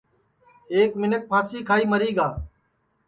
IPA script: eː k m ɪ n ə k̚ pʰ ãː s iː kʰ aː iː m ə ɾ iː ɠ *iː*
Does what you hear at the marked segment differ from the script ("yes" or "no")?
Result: yes